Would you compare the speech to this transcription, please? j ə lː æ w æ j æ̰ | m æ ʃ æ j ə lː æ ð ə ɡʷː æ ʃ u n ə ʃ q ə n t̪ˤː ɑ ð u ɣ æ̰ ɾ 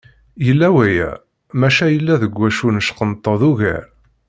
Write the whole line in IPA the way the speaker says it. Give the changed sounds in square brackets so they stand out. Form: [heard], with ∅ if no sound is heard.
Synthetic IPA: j ə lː æ w æ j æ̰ | m æ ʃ æ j ə lː æ ð ə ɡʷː æ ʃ u n ə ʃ q ə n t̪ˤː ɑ ð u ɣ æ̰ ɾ